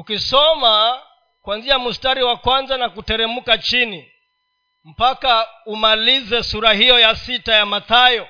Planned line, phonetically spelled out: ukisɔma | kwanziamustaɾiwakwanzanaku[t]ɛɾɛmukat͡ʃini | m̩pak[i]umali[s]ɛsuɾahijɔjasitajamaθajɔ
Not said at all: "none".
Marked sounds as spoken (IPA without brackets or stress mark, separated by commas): t, a, z